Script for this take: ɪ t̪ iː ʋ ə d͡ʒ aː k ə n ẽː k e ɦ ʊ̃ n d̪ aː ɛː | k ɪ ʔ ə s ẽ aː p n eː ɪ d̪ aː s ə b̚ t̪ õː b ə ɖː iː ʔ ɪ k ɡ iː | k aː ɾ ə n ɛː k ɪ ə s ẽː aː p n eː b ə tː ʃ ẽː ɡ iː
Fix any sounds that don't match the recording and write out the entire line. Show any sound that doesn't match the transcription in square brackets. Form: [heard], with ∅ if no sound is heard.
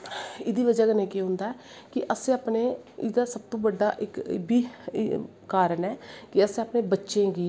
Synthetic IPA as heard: ɪ [d̪] iː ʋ ə d͡ʒ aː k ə n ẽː k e ɦ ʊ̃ n d̪ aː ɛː | k ɪ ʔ ə s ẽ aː p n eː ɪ d̪ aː s ə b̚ t̪ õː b ə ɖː [aː] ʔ ɪ k [b] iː | k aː ɾ ə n ɛː k ɪ ə s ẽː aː p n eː b ə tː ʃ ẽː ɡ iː